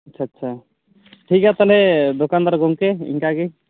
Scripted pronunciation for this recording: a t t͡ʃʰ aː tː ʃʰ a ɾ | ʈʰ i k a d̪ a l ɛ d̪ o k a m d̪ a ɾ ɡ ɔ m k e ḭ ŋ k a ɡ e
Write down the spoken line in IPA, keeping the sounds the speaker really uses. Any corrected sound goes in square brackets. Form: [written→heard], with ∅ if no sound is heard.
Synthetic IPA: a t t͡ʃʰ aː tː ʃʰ a [ɾ→∅] | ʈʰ i k a [d̪→t̪] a l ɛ d̪ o k a [m→n] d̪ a ɾ ɡ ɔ [m→ŋ] k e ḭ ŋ k a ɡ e